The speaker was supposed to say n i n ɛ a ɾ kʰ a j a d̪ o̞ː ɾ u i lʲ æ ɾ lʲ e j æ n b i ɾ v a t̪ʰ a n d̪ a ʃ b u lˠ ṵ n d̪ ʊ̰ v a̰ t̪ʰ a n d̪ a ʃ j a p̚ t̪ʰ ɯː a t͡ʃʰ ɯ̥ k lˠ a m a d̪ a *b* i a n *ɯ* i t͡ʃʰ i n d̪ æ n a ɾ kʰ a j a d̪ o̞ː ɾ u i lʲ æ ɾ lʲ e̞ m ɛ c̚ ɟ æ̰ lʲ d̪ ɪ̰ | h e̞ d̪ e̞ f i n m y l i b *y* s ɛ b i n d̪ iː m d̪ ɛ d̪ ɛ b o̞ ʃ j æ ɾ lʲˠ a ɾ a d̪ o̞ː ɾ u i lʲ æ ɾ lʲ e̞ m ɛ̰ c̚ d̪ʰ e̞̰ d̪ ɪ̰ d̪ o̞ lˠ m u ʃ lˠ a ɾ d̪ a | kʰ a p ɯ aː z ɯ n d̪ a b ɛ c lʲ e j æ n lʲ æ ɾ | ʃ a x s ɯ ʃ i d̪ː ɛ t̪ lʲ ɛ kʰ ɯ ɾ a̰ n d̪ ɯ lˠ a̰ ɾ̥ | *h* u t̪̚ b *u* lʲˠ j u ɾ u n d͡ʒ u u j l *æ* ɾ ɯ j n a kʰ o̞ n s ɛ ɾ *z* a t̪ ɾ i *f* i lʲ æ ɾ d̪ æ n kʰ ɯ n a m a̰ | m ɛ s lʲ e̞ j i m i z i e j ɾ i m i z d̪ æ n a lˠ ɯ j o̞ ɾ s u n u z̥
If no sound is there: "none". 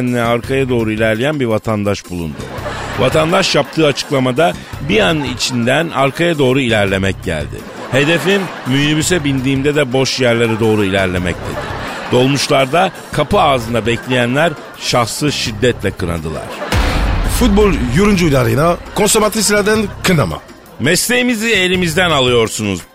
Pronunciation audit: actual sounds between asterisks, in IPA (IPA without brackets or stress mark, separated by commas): b, ɯ, y, f, o, a, v, s